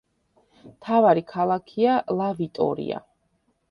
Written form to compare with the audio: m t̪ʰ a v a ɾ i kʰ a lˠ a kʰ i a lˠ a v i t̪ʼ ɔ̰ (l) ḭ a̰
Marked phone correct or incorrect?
incorrect